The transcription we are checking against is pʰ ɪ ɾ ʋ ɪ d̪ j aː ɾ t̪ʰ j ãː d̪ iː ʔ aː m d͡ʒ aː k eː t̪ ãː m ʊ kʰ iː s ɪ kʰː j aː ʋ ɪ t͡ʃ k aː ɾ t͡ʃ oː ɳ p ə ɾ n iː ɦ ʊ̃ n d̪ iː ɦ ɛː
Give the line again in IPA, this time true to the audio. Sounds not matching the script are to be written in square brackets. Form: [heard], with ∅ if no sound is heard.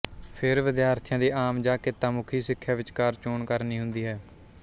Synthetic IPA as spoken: pʰ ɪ ɾ ʋ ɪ d̪ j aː ɾ t̪ʰ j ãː d̪ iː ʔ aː m d͡ʒ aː k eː t̪ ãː m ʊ kʰ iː s ɪ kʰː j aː ʋ ɪ t͡ʃ k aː ɾ t͡ʃ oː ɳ [k] ə ɾ n iː ɦ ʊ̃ n d̪ iː ɦ ɛː